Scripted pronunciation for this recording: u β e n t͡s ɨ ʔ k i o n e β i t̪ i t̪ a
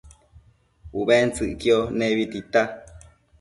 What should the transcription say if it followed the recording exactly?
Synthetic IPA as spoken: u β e n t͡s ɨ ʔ k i o n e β i t̪ i t̪ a